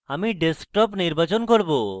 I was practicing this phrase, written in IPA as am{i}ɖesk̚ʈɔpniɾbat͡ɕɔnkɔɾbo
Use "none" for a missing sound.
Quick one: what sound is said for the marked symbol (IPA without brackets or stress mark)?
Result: i